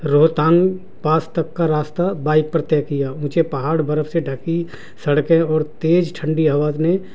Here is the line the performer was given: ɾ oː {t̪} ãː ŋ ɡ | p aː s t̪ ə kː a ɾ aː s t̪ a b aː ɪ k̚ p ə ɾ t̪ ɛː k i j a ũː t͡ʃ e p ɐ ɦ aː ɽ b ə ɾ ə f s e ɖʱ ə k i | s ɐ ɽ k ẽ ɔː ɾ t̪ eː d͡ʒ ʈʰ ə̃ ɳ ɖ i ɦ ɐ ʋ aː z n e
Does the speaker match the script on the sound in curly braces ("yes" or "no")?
yes